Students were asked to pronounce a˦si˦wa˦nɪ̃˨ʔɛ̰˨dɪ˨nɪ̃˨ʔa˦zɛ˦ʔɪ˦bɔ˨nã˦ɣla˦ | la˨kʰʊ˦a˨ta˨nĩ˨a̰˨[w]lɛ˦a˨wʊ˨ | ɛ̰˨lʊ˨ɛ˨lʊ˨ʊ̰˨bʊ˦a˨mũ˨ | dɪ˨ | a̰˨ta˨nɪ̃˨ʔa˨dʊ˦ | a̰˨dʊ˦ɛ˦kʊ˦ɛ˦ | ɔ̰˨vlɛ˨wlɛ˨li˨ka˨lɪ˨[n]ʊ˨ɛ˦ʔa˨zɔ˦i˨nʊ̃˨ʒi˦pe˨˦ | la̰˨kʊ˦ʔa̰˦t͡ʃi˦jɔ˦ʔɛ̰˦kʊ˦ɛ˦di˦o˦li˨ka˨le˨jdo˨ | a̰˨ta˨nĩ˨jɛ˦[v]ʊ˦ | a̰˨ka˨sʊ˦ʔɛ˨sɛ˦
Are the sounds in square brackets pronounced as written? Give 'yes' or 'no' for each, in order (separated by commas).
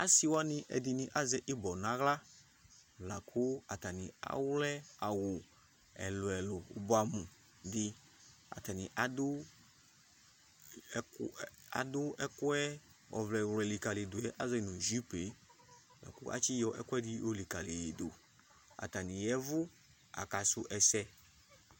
yes, no, yes